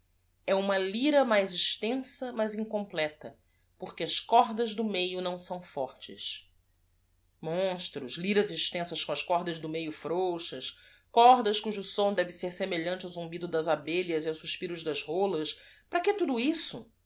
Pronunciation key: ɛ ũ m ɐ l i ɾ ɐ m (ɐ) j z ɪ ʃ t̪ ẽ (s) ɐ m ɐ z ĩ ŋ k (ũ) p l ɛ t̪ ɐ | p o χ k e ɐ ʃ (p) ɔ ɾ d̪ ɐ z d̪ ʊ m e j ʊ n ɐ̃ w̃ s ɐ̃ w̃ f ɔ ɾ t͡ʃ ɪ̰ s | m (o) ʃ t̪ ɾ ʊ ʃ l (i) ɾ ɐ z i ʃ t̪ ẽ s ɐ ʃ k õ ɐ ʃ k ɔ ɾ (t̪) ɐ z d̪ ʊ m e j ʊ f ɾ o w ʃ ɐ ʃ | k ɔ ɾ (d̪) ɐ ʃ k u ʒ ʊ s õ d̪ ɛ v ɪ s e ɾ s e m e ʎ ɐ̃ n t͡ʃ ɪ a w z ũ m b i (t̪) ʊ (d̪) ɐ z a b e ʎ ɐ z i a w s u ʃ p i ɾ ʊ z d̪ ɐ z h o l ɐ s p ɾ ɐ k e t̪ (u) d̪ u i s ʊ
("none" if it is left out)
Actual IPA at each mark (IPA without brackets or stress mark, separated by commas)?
a, s, õ, k, õ, i, d̪, d̪, d̪, d̪, u